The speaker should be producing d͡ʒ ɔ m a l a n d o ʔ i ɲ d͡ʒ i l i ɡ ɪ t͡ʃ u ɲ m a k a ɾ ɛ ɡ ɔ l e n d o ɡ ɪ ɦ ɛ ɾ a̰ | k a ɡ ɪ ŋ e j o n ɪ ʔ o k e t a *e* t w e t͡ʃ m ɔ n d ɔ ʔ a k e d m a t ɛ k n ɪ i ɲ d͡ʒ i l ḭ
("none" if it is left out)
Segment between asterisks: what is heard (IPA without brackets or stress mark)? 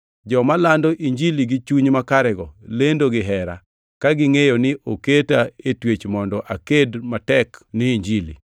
e